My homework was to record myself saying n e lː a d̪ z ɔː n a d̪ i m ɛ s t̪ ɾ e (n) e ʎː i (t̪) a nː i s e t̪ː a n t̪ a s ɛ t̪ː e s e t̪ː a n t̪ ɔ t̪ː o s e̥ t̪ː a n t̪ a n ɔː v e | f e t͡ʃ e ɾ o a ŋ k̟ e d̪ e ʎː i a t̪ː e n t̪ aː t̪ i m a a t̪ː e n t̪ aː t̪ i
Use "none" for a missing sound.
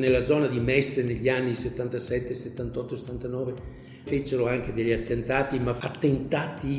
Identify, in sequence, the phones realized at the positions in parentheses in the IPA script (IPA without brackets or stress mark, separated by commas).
n, none